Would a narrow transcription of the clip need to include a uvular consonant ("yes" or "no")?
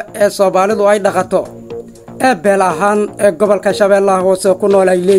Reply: yes